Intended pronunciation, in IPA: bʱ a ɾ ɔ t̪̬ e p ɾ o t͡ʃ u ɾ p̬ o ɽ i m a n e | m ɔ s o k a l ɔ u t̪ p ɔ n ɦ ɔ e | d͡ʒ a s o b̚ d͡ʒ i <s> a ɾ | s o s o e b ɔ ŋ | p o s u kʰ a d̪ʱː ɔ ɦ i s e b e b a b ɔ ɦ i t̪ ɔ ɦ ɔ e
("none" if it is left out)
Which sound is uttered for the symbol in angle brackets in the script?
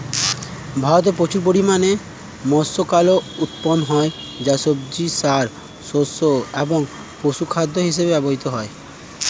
s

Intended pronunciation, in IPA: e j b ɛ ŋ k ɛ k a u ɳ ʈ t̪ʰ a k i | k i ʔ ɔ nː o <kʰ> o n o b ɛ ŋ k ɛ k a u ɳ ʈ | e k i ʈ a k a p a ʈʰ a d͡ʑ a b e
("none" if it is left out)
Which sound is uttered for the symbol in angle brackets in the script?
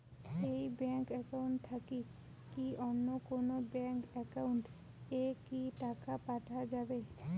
k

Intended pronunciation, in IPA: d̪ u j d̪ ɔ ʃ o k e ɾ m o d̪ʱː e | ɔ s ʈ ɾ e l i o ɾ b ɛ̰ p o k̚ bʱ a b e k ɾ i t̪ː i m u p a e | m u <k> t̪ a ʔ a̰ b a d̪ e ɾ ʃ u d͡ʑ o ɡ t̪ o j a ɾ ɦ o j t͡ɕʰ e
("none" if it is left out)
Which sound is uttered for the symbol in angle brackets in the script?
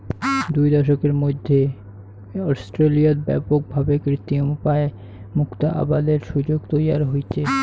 k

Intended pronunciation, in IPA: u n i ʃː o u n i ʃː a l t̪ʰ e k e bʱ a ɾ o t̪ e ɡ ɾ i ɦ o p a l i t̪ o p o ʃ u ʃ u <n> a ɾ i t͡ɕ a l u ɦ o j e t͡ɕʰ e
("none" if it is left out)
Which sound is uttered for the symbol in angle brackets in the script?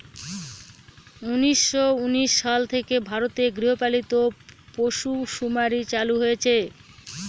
m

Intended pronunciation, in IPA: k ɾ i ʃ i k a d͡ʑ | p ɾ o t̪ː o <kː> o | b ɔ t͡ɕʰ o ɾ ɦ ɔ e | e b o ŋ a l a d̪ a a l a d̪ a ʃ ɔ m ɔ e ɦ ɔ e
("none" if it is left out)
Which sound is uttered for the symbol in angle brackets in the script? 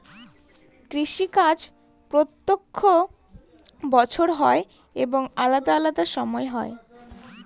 kʰː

